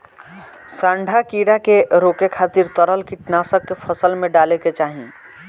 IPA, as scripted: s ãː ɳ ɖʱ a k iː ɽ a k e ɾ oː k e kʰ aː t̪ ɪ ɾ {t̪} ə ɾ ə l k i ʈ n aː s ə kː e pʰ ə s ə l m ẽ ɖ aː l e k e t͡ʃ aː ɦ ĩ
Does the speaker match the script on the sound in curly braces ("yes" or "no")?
yes